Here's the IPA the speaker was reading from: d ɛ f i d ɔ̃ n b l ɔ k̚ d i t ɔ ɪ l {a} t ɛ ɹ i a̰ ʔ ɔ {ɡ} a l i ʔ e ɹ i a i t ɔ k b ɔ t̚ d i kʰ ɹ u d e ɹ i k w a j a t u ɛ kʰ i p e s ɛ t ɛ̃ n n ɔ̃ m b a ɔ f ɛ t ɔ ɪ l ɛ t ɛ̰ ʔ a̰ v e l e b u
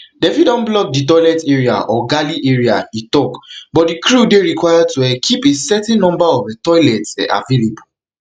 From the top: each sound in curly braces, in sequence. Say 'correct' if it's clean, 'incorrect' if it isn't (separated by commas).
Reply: incorrect, correct